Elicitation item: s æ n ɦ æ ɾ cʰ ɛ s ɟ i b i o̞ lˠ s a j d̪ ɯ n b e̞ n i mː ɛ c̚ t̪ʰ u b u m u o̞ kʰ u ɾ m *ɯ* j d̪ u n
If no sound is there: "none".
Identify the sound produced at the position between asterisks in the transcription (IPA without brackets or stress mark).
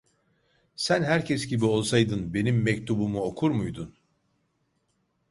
u